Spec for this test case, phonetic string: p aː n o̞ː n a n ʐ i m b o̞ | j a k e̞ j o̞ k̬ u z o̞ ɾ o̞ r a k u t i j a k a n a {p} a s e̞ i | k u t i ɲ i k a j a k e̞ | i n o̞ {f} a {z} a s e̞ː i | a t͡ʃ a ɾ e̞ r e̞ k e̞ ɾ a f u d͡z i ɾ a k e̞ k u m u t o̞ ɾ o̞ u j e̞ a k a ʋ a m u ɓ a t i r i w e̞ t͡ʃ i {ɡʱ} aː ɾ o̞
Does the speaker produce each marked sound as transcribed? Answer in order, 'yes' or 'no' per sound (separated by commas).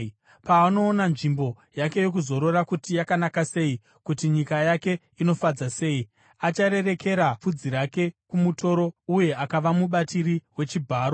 no, yes, no, no